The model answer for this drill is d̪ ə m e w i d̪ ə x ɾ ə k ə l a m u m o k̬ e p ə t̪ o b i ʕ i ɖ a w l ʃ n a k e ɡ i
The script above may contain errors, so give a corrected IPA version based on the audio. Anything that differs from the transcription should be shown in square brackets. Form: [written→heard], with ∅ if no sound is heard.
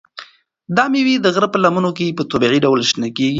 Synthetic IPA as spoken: d̪ [ə→ɑ] m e w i d̪ ə [x→ɣ] ɾ ə [k→p] ə l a m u [m→n] o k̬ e p ə t̪ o b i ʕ i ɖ a w l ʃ n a k e ɡ i